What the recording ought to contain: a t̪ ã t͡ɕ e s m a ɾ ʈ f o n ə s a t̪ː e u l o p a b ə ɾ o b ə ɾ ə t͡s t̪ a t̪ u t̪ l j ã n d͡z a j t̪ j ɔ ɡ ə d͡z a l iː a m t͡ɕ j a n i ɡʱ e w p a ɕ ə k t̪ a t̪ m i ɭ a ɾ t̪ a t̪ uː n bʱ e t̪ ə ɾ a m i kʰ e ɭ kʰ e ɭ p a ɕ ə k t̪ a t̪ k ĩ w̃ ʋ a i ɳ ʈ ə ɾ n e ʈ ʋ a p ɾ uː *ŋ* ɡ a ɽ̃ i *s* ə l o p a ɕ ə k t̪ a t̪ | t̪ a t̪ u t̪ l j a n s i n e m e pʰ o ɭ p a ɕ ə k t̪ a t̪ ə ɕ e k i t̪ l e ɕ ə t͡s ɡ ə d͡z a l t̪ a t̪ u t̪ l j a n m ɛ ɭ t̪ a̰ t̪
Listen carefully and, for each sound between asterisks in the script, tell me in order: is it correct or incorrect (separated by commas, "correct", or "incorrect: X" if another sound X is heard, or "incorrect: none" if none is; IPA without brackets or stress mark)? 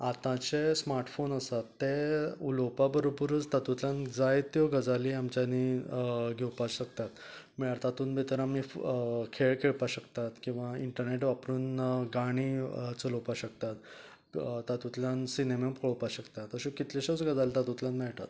incorrect: n, incorrect: t͡s